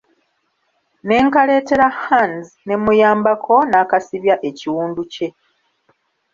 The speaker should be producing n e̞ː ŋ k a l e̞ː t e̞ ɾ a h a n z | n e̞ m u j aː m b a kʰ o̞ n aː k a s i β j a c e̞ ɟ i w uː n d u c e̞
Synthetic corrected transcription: n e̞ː ŋ k a l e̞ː t e̞ ɾ a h a n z | n e̞ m u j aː m b a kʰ o̞ n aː k a s i β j a ʔ e̞ c i w uː n d u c e̞